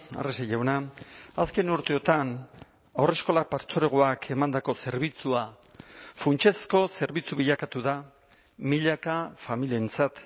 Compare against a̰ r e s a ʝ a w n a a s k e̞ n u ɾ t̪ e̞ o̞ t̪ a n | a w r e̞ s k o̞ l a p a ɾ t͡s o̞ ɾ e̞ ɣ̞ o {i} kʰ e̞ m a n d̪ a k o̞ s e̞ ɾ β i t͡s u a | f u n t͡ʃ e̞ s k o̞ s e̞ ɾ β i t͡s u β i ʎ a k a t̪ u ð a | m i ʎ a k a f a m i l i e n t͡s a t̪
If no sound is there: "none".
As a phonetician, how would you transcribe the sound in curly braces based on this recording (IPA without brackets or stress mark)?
a